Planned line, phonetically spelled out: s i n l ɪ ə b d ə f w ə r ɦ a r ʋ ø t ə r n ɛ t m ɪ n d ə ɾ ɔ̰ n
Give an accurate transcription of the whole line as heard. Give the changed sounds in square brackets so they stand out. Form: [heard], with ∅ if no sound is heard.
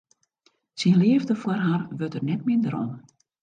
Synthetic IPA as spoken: s i n l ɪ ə [v] d ə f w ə r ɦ a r ʋ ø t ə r n ɛ t m ɪ n d ə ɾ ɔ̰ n